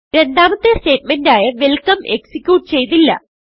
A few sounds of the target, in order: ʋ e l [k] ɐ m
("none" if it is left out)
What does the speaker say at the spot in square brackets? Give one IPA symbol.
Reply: k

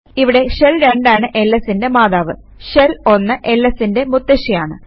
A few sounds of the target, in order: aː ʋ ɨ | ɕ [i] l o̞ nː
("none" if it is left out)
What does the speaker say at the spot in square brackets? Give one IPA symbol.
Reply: e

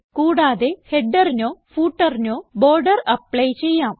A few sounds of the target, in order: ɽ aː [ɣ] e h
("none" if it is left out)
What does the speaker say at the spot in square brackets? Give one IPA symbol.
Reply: ð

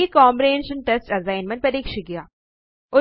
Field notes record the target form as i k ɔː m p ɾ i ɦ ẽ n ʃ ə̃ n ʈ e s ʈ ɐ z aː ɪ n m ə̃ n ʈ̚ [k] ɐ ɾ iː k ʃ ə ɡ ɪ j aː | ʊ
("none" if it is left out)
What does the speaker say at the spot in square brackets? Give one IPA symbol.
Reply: p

